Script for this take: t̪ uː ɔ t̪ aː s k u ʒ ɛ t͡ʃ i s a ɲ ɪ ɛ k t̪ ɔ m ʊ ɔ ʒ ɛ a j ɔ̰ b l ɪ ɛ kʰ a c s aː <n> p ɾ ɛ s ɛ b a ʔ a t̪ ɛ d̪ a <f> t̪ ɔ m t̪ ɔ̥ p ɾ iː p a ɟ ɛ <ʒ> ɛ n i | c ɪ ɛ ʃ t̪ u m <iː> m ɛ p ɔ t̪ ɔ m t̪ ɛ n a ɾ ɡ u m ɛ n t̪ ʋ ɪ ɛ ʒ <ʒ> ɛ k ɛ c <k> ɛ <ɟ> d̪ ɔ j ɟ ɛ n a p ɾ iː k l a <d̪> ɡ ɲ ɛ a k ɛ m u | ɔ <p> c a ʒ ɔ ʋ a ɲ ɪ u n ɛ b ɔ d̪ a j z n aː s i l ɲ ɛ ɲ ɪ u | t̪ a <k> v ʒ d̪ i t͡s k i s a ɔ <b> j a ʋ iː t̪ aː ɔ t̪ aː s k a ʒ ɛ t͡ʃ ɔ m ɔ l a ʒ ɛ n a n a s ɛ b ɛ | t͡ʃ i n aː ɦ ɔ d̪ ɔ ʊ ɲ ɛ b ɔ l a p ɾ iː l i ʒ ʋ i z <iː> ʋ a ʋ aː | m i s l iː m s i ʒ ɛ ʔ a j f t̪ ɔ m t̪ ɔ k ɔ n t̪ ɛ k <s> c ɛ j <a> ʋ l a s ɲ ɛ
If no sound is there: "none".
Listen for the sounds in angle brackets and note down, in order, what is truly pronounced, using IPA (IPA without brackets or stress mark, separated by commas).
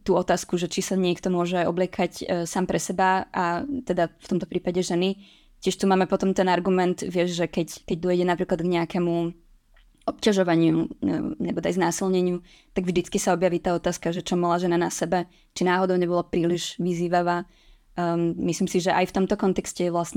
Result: m, f, ʒ, aː, ʒ, k, ɟ, d̪, p, ɡ, b, iː, s, ɛ